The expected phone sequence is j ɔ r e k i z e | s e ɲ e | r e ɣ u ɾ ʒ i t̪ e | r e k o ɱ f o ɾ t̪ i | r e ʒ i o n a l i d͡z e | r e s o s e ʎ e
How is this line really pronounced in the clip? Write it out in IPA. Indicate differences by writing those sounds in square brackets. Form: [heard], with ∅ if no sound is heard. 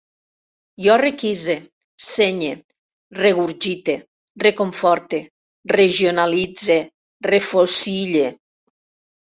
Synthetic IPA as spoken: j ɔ r e k i z e | s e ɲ e | r e ɣ u ɾ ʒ i t̪ e | r e k o ɱ f [ɔ] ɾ t̪ [e] | r e ʒ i o n a l i d͡z e | r e [f] o s [i] ʎ e